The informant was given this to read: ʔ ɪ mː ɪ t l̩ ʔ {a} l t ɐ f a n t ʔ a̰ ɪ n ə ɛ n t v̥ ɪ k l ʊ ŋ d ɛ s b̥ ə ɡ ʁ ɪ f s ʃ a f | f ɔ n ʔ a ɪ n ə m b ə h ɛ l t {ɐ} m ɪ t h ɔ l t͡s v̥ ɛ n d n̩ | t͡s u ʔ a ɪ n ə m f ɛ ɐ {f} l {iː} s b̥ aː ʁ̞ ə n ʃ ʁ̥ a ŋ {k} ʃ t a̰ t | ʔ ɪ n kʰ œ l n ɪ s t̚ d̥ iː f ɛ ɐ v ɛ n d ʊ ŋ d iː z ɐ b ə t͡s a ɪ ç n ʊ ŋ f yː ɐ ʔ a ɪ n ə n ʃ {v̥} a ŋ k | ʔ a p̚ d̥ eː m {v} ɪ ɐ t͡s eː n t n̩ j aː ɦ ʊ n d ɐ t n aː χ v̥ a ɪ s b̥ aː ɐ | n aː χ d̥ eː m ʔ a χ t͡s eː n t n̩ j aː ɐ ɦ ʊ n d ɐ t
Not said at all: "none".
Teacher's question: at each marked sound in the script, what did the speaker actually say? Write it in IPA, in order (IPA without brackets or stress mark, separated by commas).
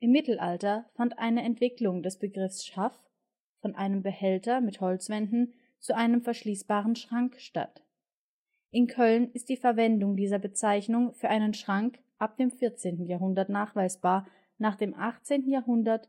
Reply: a, ɐ, ʃ, iː, k, ʁ̥, f